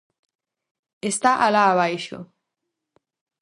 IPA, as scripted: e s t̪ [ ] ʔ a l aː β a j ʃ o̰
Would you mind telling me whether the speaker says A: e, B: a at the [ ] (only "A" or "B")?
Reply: B